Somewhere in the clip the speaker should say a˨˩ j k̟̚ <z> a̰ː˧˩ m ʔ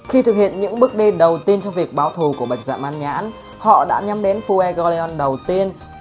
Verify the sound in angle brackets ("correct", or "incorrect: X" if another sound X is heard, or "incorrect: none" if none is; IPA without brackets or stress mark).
correct